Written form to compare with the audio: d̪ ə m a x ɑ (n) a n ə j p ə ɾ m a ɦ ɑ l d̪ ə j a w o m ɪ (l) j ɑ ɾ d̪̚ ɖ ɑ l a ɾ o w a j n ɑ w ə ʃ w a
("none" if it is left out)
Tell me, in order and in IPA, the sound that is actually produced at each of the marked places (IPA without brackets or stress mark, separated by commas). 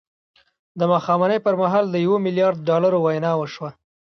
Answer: m, l